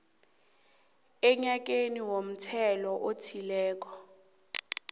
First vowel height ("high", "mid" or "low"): mid